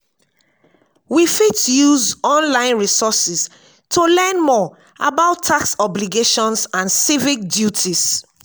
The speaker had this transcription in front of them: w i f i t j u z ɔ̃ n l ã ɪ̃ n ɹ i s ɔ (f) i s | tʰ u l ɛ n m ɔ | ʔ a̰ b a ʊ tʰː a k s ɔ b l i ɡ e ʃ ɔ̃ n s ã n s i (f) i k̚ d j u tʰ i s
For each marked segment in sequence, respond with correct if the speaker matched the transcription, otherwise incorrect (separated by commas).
incorrect, incorrect